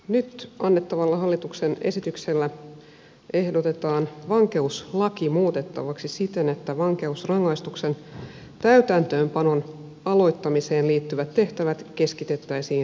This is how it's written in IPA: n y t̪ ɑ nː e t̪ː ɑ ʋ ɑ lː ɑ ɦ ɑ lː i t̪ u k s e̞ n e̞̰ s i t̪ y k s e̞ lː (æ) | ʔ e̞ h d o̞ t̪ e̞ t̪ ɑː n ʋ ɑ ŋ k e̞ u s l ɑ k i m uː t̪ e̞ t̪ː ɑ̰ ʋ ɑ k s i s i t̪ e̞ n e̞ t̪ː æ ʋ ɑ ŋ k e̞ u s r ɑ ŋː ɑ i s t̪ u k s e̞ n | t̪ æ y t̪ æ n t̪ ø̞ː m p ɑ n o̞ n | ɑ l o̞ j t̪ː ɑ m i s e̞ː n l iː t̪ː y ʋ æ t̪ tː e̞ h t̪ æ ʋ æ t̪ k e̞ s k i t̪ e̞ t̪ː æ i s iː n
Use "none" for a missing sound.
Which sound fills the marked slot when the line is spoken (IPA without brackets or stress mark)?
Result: æ